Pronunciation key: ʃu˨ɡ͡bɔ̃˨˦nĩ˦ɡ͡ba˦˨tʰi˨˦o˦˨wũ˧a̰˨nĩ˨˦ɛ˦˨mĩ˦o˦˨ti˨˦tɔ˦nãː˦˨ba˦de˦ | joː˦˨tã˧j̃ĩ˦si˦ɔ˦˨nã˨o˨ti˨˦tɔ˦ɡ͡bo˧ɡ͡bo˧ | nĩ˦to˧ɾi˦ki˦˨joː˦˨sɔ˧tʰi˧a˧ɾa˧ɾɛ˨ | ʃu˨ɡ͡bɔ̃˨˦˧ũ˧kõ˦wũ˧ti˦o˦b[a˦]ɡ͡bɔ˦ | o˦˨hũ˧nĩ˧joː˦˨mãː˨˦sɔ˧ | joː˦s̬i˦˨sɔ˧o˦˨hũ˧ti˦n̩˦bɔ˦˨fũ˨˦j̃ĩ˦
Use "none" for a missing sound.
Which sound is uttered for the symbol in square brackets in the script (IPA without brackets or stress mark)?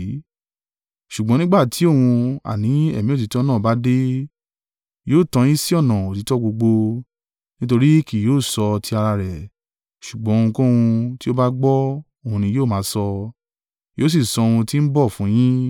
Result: a˦